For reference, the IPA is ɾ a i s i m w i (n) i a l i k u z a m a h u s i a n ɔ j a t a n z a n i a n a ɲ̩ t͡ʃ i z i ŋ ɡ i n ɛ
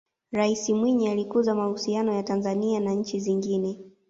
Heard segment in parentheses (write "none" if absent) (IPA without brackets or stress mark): ɲ